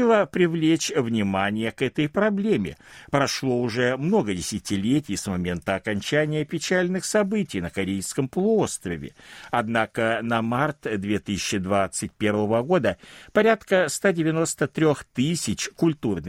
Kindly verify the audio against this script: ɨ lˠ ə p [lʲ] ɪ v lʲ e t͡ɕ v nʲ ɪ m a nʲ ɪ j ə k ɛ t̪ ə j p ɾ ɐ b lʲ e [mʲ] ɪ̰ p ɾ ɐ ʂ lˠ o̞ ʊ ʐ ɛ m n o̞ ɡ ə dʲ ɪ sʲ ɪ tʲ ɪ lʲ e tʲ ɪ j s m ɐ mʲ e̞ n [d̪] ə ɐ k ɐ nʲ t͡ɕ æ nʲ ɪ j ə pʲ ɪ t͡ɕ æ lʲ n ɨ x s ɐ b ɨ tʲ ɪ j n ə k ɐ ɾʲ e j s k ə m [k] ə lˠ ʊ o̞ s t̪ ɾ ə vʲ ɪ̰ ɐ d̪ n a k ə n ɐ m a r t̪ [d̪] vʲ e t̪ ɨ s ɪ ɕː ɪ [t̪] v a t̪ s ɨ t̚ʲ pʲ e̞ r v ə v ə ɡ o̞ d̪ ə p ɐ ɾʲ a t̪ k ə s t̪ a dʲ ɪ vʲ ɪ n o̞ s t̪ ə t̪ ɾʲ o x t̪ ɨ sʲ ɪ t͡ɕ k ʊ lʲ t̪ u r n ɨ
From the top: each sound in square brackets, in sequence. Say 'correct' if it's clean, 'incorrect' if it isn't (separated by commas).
incorrect, correct, incorrect, incorrect, correct, incorrect